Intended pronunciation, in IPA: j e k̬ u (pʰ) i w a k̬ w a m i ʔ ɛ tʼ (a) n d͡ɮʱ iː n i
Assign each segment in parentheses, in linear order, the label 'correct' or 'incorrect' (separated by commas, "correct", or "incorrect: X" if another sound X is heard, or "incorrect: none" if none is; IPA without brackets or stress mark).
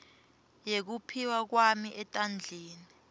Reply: correct, correct